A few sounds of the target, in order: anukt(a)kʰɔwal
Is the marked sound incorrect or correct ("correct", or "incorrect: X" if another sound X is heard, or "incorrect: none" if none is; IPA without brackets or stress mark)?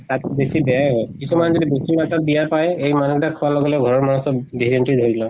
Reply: correct